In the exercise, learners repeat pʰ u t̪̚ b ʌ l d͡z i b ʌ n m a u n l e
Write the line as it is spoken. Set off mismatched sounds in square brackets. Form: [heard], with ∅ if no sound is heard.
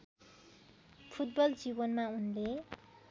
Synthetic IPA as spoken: pʰ u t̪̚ b ʌ l d͡z i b ʌ n m a u n l e